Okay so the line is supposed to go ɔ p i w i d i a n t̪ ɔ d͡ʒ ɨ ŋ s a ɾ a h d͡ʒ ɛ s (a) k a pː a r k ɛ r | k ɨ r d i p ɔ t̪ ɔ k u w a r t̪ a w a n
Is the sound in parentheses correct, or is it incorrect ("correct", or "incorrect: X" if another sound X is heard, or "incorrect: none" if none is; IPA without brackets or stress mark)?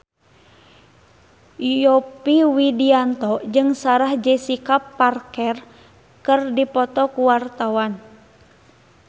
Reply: incorrect: i